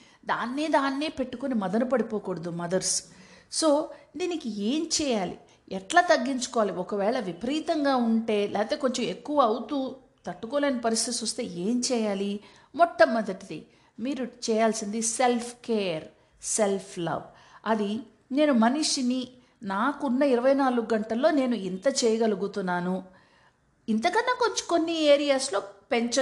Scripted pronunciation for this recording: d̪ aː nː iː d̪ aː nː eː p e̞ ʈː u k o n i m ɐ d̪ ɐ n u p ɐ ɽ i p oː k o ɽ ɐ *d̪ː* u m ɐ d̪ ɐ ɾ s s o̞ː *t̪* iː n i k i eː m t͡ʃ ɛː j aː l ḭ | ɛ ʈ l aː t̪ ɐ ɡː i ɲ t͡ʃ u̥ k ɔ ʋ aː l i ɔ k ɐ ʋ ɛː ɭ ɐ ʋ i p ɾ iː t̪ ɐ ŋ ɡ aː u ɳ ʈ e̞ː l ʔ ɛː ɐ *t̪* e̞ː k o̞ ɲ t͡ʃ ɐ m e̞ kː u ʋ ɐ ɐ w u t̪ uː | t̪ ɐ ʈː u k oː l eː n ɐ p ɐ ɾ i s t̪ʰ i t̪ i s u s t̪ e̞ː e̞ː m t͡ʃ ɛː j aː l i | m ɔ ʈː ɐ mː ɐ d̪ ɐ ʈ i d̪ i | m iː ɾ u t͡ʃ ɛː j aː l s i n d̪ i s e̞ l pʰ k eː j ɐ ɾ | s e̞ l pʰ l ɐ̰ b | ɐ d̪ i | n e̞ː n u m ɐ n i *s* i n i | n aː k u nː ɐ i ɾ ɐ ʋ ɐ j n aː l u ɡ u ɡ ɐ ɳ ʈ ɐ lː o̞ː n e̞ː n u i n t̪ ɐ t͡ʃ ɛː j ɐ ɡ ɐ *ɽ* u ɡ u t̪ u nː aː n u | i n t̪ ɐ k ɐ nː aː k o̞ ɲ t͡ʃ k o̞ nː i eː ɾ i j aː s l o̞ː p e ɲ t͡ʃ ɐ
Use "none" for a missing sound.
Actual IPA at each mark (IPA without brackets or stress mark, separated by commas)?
d̪, d̪, t̪, ʂ, l